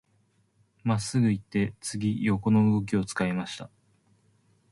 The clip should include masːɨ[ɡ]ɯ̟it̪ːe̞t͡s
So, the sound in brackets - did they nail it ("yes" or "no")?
yes